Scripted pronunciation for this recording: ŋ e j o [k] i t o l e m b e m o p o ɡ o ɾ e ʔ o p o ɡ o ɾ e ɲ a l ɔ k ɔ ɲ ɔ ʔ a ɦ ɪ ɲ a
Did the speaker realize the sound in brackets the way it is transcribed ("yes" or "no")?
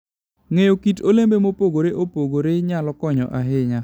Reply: yes